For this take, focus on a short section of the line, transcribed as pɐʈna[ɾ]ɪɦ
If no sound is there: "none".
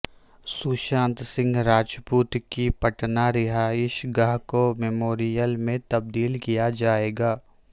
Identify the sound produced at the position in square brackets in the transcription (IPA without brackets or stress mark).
ɾ